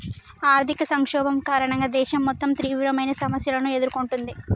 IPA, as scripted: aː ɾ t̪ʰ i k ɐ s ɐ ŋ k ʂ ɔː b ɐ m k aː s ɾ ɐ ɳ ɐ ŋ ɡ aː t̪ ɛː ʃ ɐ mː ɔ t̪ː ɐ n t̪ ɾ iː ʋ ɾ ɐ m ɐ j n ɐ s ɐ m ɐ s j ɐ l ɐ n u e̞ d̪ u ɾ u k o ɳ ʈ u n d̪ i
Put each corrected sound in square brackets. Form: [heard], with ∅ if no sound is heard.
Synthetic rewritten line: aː ɾ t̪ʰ i k ɐ s ɐ ŋ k ʂ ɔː b ɐ m k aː [∅] ɾ ɐ ɳ ɐ ŋ ɡ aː [d̪] ɛː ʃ ɐ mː ɔ t̪ː ɐ [m] t̪ ɾ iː ʋ ɾ ɐ m ɐ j n ɐ s ɐ m ɐ s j ɐ l ɐ n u e̞ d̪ u ɾ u k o ɳ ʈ u n d̪ i